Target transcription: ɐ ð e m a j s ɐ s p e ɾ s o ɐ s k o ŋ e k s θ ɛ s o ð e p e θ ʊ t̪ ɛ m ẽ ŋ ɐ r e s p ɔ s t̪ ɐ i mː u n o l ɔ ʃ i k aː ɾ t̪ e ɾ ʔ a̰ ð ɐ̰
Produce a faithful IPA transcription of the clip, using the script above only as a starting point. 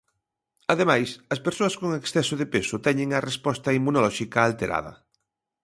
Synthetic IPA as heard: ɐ ð e m a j s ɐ s p e ɾ s o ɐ s k o ŋ e k s θ ɛ s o ð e p e s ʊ t̪ ɛ ɲ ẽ ŋ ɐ r e s p ɔ s t̪ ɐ i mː u n o l ɔ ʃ i k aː l t̪ e ɾ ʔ a̰ ð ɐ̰

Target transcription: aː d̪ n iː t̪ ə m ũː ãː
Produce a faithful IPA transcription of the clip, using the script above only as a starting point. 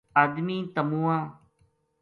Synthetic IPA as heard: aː d̪ m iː t̪ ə m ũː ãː

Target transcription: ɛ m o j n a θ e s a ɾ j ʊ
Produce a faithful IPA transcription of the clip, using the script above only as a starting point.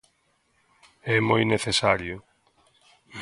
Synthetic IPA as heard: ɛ m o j n e θ e s a ɾ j ʊ

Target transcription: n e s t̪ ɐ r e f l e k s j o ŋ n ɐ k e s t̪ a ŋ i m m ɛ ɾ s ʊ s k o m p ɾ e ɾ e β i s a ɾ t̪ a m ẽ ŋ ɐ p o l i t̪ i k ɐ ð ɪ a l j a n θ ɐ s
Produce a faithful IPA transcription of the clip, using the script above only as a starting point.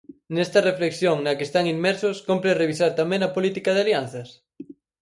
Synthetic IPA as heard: n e s t̪ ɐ r e f l e k s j o ŋ n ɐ k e s t̪ a ŋ i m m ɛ ɾ s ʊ s k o m p ɾ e r e β i s a ɾ t̪ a m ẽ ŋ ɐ p o l i t̪ i k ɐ ð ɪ a l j a n θ ɐ s

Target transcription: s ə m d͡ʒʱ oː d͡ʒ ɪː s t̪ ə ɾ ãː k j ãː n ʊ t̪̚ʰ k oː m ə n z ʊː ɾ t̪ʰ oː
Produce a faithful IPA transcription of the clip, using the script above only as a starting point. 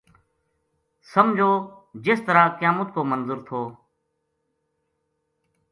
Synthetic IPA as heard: s ə m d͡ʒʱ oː d͡ʒ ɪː s t̪ ə ɾ aː k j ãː m ʊ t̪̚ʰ k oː m ə n z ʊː ɾ t̪ʰ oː

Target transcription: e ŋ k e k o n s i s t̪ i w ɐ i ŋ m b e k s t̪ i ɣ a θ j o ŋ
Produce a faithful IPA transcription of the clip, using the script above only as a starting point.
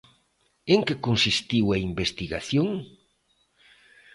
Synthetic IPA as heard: e ŋ k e k o n s i s t̪ i w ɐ i m b e s t̪ i ɣ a θ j o ŋ

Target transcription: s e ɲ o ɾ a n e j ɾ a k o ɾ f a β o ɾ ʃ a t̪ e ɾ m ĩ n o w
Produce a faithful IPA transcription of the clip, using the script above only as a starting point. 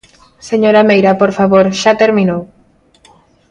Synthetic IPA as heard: s e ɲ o ɾ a m e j ɾ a p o ɾ f a β o ɾ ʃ a t̪ e ɾ m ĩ n o w

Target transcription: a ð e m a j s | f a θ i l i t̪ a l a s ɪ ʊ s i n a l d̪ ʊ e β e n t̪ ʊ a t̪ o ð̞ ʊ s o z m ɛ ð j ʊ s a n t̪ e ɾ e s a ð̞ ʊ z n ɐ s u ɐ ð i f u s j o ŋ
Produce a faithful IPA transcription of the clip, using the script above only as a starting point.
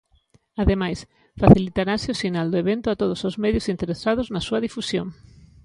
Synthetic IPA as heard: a ð e m a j s | f a θ i l i t̪ a ɾ a s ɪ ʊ s i n a l d̪ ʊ e β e n t̪ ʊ a t̪ o ð̞ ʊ s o z m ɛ ð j ʊ s i n t̪ e ɾ e s a ð̞ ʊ z n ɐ s u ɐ ð i f u s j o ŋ

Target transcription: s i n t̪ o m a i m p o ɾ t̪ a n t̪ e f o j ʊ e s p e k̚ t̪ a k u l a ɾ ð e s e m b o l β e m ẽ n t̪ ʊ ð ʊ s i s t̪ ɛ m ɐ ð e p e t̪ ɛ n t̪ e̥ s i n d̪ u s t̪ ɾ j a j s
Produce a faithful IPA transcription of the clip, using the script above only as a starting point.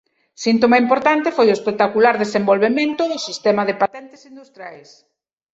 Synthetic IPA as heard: s i n t̪ o m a i m p o ɾ t̪ a n t̪ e f o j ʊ e s p e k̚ t̪ a k u l a ɾ ð e s e m b o l β e m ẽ n t̪ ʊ ð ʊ s i s t̪ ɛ m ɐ ð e p a t̪ ɛ n t̪ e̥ s i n d̪ u s t̪ ɾ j a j s

